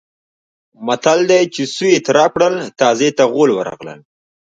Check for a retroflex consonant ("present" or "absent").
present